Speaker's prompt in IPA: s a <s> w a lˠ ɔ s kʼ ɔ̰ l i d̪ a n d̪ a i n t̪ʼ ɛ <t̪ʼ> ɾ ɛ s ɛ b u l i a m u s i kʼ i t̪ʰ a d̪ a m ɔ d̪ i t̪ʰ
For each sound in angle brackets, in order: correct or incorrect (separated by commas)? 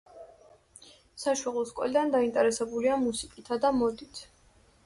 incorrect, incorrect